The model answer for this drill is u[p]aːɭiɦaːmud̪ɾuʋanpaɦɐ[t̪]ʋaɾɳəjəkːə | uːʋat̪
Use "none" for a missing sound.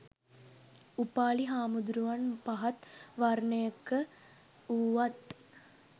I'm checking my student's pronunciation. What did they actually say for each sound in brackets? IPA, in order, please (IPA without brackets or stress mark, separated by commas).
p, t̪